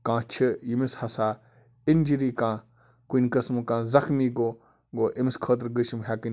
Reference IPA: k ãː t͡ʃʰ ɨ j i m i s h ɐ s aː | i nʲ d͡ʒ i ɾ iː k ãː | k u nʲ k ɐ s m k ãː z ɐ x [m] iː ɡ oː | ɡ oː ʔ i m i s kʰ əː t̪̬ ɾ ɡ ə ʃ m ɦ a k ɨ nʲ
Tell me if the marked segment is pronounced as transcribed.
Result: yes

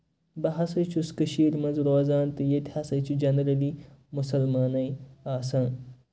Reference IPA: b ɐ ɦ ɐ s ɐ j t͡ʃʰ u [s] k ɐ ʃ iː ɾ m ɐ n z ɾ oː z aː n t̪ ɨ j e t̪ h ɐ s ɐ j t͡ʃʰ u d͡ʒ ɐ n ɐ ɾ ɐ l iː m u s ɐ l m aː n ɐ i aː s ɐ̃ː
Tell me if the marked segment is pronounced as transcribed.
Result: yes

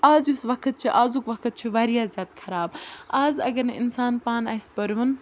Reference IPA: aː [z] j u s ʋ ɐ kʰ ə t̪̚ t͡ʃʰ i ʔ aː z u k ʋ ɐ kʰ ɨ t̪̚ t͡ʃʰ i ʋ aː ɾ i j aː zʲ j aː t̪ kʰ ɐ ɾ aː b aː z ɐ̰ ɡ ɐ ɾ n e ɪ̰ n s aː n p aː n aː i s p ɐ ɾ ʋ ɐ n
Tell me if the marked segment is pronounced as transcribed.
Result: yes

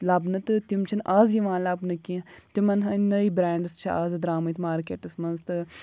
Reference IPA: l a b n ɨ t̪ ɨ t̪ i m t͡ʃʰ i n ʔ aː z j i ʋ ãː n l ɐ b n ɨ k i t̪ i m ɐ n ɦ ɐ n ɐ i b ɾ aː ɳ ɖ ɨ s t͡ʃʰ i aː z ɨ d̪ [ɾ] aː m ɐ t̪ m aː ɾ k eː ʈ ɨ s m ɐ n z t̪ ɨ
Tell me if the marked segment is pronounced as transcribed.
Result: yes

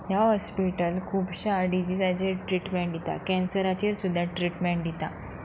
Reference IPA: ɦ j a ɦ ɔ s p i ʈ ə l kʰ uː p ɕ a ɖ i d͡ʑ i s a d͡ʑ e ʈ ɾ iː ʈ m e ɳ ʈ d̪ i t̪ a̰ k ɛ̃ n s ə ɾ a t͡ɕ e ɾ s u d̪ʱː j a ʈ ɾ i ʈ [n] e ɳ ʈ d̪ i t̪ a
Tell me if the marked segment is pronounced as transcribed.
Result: no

